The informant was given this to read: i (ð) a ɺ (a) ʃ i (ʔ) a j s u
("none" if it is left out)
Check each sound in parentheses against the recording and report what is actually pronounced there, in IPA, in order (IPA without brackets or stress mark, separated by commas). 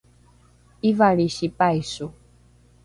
v, i, p